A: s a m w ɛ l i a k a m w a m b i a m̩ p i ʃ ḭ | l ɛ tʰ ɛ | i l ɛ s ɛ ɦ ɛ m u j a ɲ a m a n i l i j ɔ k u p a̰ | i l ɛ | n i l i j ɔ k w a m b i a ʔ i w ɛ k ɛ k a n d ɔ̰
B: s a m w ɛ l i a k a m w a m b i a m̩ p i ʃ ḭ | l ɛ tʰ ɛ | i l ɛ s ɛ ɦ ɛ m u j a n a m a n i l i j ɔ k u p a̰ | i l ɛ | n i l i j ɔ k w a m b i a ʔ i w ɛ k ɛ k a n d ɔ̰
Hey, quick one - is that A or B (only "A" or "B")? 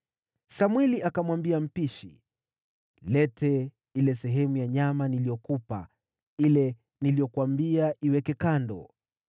A